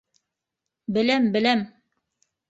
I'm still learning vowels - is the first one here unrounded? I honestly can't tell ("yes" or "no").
yes